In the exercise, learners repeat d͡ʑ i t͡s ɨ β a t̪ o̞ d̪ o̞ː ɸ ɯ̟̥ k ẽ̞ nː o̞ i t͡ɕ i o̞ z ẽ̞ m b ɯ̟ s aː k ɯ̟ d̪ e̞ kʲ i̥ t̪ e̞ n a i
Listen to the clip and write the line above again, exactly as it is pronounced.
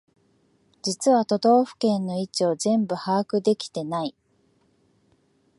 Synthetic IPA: d͡ʑ i t͡s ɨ β a t̪ o̞ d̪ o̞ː ɸ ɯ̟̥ k ẽ̞ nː o̞ i t͡ɕ i o̞ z ẽ̞ m b ɯ̟ h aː k ɯ̟ d̪ e̞ kʲ i̥ t̪ e̞ n a i